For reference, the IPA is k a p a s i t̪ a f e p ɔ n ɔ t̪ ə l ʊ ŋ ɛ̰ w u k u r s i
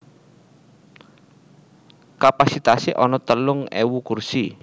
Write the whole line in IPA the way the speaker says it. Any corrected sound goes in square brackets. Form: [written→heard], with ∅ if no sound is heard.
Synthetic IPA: k a p a s i t̪ a [f→s] e [p→ʔ] ɔ n ɔ t̪ ə l ʊ ŋ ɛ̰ w u k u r s i